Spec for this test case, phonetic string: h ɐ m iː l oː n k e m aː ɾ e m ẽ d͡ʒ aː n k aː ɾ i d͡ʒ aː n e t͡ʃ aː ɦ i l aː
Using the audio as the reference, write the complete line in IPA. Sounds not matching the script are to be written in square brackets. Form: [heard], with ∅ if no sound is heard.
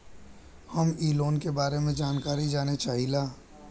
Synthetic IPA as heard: h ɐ m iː l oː n k e [b] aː ɾ e m ẽ d͡ʒ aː n k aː ɾ i d͡ʒ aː n e t͡ʃ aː ɦ i l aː